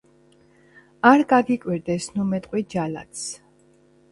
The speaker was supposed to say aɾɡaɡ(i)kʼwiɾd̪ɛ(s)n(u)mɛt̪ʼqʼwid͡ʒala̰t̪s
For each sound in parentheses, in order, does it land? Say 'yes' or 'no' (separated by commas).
yes, yes, yes